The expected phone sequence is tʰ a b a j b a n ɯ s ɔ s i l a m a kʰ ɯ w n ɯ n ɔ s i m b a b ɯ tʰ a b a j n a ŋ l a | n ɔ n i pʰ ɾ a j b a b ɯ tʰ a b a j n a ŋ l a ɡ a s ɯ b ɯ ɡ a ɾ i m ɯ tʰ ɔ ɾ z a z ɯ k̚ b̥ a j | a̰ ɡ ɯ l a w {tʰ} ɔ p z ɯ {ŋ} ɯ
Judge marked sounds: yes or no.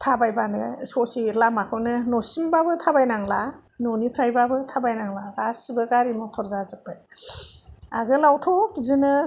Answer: yes, no

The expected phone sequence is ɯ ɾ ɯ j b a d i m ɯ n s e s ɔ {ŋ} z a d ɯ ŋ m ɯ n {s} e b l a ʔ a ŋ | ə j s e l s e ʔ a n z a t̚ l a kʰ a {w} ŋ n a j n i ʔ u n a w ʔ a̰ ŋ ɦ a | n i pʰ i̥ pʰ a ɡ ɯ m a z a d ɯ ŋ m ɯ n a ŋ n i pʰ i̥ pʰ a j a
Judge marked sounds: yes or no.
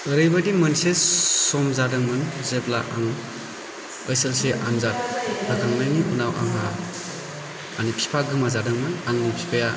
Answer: no, no, no

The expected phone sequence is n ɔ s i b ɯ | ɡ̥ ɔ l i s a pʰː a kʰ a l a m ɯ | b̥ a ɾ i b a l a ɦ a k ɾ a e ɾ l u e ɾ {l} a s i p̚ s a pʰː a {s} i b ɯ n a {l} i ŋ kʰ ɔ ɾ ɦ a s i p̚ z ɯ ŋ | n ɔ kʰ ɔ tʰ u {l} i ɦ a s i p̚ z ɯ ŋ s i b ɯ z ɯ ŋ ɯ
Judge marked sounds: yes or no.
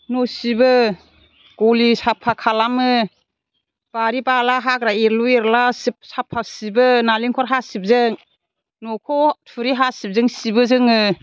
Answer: yes, yes, yes, no

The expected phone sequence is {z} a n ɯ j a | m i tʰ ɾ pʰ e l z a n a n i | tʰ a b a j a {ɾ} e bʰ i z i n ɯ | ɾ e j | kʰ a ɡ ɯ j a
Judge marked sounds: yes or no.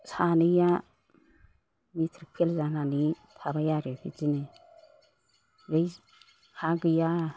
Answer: no, yes

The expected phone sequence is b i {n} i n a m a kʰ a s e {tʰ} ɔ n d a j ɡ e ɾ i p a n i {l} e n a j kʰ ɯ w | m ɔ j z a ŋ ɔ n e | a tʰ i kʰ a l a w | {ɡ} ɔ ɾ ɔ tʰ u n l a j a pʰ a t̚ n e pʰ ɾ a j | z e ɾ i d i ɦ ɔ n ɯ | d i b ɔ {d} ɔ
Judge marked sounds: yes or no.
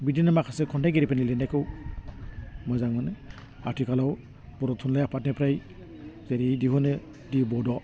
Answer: no, no, yes, no, yes

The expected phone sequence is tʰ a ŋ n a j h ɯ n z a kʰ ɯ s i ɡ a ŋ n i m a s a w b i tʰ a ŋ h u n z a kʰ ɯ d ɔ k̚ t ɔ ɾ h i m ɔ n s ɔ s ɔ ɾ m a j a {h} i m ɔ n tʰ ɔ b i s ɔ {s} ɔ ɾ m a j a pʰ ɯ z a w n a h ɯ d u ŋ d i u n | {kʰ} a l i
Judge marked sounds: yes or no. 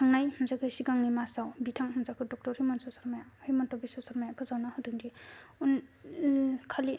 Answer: yes, yes, yes

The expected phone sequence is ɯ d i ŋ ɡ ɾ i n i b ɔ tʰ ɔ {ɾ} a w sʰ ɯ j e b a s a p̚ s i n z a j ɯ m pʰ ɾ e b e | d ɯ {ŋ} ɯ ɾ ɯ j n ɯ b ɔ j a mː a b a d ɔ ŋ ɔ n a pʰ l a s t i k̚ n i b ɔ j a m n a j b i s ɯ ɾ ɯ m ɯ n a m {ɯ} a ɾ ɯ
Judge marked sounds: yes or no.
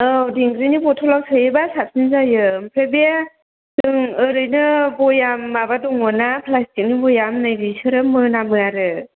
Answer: no, yes, yes

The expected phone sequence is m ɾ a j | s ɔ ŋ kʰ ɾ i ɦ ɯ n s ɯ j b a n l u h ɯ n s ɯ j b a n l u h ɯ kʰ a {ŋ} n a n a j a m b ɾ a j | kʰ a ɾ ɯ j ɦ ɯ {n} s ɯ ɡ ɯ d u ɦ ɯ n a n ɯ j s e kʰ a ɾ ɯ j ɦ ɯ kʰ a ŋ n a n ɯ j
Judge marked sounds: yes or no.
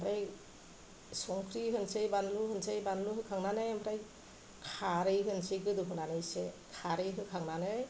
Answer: yes, yes

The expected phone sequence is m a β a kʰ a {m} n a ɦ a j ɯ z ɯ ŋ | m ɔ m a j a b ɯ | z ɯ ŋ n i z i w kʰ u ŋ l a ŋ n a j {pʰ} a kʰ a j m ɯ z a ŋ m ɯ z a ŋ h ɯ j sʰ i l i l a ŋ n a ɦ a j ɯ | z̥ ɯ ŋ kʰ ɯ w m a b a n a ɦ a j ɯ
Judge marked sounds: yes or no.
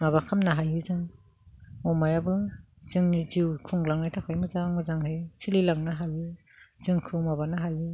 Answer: yes, no

